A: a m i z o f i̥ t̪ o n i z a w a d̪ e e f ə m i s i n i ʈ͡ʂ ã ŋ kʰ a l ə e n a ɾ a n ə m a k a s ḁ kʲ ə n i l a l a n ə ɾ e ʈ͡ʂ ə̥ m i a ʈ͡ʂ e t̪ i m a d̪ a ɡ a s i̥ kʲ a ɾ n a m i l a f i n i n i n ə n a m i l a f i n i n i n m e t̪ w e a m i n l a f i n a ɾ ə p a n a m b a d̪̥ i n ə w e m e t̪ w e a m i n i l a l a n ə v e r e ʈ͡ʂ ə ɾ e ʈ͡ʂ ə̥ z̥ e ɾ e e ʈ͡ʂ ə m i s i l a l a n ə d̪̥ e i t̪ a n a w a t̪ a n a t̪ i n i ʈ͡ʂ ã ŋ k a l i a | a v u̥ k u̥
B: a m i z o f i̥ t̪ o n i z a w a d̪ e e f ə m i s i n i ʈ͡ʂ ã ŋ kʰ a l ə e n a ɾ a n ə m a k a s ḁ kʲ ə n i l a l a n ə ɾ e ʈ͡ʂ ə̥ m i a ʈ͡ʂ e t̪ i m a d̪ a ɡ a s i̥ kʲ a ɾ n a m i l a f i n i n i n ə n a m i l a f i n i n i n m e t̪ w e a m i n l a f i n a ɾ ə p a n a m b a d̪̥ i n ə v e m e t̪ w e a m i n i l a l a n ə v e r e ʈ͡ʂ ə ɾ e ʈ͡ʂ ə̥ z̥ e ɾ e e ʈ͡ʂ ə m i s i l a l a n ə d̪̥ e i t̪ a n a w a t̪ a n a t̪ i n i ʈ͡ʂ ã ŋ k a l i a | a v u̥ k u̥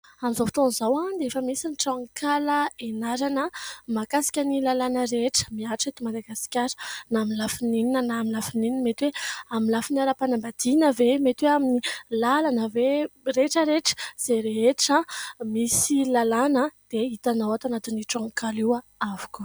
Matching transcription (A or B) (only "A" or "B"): B